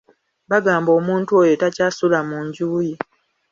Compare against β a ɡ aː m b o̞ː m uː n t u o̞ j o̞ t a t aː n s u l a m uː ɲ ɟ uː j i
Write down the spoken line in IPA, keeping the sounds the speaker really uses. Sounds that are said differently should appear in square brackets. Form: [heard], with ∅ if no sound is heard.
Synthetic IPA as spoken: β a ɡ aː m b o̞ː m uː n t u o̞ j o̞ t a [c] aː [∅] s u l a m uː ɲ ɟ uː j i